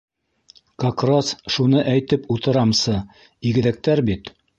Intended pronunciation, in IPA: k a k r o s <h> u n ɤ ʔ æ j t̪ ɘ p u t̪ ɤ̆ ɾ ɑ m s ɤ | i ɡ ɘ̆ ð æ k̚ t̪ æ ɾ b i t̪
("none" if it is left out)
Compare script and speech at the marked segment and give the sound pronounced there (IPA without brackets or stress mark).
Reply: ʃ